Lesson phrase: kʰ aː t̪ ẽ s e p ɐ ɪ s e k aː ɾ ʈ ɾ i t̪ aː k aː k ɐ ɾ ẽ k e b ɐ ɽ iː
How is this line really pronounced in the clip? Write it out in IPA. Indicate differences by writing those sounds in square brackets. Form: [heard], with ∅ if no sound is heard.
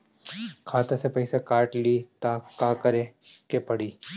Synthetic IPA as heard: kʰ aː t̪ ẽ s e p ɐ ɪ s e k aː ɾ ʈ [l] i t̪ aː k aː k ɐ ɾ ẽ k e [p] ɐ ɽ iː